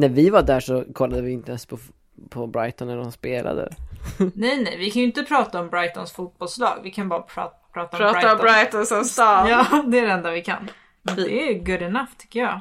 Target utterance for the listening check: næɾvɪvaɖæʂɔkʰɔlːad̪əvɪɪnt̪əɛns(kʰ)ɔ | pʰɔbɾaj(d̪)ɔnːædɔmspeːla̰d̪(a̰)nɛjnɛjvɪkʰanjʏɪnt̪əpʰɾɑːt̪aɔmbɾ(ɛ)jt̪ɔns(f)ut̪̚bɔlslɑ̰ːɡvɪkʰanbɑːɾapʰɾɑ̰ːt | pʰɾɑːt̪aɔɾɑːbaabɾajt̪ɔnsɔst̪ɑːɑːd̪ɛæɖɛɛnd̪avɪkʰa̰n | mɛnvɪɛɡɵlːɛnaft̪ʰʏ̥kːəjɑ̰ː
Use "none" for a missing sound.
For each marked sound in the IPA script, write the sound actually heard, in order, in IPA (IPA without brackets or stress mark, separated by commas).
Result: pʰ, t̪, ə̰, a, f